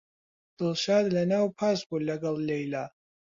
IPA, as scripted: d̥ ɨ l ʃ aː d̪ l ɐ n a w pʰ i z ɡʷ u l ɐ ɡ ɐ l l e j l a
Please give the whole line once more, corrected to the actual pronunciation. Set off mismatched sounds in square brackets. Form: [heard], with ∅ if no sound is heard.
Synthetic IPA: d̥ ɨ l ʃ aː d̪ l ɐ n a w pʰ [a] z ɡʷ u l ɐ ɡ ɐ l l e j l a